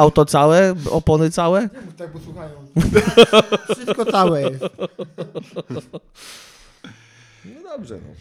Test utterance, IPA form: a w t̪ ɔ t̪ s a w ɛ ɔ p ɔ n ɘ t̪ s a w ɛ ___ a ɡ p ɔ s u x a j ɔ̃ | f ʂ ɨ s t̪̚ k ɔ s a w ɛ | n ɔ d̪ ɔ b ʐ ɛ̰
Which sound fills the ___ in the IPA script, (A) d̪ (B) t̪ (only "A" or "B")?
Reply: B